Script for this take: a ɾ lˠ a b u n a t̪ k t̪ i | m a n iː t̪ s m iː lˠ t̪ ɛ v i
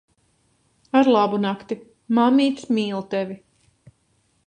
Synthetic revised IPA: a ɾ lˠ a b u n a k t̪ i | m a m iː t̪ s m iː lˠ t̪ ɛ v i